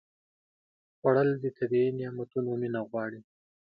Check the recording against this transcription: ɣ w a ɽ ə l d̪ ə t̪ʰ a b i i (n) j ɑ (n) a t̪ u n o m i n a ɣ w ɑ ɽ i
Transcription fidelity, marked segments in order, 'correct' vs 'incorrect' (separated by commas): correct, incorrect